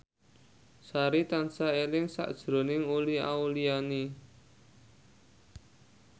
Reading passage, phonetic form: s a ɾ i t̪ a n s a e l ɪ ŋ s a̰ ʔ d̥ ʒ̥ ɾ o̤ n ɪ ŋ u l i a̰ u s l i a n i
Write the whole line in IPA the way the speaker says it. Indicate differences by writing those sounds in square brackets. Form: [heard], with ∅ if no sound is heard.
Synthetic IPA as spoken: s a ɾ i t̪ a n s a e l ɪ ŋ s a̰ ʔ d̥ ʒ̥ ɾ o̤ n ɪ ŋ u l i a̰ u [∅] l i a n i